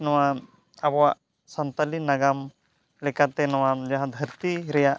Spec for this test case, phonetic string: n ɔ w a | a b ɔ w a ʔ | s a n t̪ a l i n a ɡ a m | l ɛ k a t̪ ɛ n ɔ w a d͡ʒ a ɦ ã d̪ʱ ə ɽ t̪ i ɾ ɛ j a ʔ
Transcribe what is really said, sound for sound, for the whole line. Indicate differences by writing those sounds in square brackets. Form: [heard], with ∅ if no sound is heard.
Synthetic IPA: n ɔ w a | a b ɔ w a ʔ | s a n t̪ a l i n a ɡ a m | l ɛ k a t̪ ɛ n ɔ w a d͡ʒ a ɦ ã d̪ʱ ə [ɾ] t̪ i ɾ ɛ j a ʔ